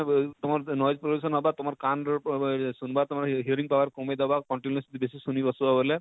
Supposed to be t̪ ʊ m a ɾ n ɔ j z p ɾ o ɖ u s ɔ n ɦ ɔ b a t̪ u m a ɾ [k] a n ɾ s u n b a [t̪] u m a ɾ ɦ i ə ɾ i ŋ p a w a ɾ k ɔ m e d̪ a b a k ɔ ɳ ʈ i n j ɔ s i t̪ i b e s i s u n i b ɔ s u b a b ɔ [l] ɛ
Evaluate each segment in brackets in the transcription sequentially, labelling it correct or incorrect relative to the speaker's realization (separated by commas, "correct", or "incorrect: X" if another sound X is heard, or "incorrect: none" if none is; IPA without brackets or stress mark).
correct, correct, correct